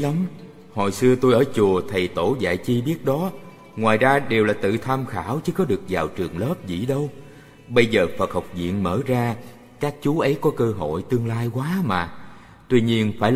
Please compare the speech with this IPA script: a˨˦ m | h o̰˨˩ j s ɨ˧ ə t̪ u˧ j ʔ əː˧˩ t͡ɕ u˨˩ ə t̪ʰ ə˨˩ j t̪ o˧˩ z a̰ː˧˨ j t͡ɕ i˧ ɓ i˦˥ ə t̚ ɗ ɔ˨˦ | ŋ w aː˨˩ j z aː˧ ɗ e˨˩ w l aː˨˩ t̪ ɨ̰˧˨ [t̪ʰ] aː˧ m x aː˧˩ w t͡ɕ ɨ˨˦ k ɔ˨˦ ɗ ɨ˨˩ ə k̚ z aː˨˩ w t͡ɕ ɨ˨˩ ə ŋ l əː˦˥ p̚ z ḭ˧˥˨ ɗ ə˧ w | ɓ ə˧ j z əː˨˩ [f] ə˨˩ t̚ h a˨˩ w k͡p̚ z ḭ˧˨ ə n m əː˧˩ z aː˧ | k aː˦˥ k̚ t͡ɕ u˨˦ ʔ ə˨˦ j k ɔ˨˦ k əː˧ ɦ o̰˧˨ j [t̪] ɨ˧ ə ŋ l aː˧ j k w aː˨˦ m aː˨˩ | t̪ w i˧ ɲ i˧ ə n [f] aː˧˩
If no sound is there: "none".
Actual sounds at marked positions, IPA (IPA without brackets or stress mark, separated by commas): t̪ʰ, f, t̪, f